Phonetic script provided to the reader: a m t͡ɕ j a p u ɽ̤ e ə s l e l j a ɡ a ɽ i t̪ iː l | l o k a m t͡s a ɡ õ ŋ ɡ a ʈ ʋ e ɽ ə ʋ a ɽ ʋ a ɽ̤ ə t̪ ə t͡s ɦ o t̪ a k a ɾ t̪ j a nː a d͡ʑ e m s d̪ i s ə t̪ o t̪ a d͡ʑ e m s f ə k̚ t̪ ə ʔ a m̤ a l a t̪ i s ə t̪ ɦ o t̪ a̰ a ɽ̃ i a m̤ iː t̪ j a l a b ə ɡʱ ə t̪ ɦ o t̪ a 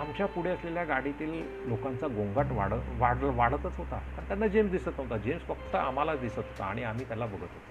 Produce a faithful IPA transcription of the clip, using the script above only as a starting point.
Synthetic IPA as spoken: a m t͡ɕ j a p u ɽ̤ e ə s l e l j a ɡ a ɽ i t̪ iː l | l o k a n t͡s a ɡ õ ŋ ɡ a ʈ ʋ a ɽ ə ʋ a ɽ ʋ a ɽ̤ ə t̪ ə t͡s ɦ o t̪ a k a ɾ t̪ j a nː a d͡ʑ e m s d̪ i s ə t̪ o t̪ a d͡ʑ e m s f ə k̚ t̪ ə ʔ a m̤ a l a d̪ i s ə t̪ ɦ o t̪ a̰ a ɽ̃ i a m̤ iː t̪ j a l a b ə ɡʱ ə t̪ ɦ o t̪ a